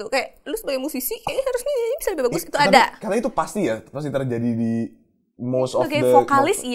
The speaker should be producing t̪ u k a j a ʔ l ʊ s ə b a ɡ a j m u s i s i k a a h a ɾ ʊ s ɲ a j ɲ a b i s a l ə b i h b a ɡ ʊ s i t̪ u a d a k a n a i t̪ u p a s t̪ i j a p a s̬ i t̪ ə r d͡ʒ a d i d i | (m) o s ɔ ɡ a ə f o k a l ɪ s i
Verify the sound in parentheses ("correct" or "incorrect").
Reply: correct